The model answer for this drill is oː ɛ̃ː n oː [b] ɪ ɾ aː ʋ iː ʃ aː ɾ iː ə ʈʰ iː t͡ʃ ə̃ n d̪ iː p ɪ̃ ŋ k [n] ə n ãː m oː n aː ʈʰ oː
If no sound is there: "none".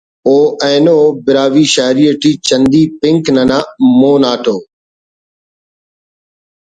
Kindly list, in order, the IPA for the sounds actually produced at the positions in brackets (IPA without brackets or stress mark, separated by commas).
b, n